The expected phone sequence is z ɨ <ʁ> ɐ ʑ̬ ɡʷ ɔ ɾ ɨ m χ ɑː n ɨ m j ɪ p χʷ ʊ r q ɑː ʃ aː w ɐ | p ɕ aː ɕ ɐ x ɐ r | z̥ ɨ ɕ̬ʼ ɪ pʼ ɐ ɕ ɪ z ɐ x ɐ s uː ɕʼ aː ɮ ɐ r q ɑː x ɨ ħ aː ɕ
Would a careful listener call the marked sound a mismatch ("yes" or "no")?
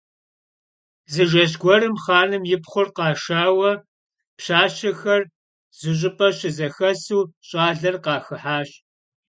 yes